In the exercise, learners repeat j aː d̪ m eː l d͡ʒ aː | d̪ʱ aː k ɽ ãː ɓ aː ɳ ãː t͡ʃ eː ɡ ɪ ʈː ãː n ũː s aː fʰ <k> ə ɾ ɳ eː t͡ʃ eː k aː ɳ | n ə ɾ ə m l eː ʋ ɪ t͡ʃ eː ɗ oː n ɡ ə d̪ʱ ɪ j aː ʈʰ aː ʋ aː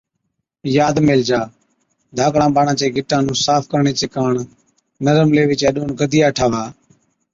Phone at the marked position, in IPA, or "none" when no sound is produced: k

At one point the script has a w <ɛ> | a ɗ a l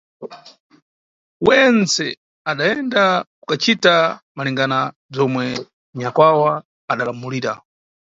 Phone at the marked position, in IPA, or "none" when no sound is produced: a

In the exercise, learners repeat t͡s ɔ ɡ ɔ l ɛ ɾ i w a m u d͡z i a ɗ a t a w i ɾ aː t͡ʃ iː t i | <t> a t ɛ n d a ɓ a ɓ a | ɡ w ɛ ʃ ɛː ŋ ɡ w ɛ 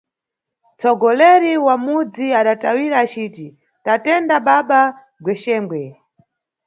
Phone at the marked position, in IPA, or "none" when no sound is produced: t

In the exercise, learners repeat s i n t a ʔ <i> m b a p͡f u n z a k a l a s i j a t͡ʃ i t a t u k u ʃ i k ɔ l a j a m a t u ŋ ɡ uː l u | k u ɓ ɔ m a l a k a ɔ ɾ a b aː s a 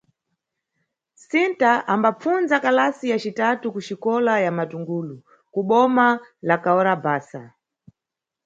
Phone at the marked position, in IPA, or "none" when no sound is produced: a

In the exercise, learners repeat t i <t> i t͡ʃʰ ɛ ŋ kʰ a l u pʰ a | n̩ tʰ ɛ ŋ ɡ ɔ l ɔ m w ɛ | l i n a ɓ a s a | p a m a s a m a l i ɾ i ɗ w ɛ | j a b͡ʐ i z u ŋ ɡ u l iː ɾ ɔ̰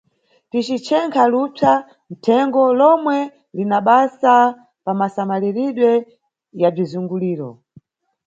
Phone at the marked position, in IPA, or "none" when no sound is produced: t͡ʃ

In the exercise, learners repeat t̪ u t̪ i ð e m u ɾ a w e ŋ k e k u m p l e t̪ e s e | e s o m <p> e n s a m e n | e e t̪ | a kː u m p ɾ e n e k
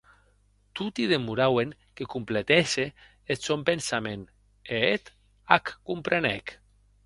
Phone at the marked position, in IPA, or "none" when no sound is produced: p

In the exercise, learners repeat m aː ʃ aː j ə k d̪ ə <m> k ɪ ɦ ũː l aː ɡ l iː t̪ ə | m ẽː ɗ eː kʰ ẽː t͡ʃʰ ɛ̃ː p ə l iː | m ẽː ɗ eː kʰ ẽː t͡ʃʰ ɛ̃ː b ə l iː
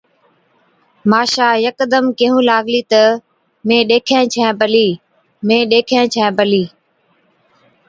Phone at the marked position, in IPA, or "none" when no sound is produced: m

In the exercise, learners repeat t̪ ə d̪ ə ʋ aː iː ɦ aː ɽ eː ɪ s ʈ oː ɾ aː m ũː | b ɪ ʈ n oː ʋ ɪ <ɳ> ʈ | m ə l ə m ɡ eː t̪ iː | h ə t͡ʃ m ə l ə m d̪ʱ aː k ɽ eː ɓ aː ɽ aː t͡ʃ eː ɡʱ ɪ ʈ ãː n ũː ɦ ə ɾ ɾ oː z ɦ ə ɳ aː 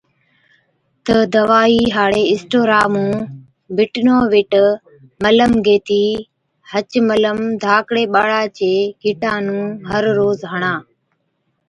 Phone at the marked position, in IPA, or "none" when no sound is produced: none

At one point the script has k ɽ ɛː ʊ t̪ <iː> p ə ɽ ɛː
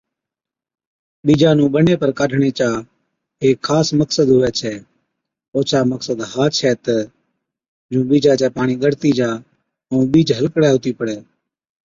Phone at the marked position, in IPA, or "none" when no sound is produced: iː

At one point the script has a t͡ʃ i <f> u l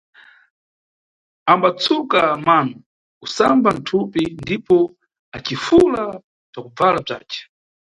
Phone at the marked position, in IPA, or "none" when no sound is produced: f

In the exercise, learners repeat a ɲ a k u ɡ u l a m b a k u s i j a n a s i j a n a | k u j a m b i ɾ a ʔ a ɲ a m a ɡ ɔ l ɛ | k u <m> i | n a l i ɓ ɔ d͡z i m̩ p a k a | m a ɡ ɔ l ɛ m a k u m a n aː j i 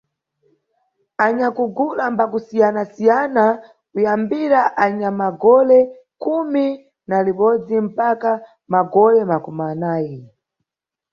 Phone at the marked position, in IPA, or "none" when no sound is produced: m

